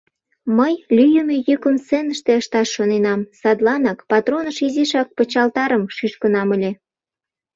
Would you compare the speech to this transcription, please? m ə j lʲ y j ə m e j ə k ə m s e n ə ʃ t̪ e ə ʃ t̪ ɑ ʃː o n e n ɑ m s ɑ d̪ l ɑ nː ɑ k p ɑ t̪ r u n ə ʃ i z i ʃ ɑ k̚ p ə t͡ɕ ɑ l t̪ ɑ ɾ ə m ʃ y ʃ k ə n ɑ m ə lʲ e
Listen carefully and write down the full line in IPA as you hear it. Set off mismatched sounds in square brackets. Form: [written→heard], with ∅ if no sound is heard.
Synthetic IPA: m ə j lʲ y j ə m e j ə k ə m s e n ə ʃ t̪ e ə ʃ t̪ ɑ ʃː o n e n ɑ m s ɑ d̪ l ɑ [nː→n] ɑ k p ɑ t̪ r [u→o] n ə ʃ i z i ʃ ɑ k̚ p ə t͡ɕ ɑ l t̪ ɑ ɾ ə m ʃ y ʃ k ə n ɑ m ə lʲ e